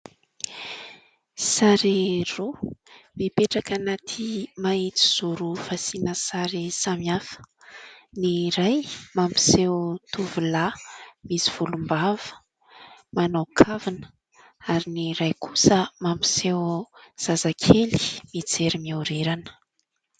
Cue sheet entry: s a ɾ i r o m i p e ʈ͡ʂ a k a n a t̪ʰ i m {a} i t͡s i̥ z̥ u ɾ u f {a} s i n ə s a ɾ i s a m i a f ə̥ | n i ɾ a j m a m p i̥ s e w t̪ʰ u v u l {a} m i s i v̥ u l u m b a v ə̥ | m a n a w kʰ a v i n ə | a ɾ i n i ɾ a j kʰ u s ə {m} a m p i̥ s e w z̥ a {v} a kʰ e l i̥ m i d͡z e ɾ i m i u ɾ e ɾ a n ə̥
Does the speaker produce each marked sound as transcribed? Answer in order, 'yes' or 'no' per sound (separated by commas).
yes, yes, yes, yes, no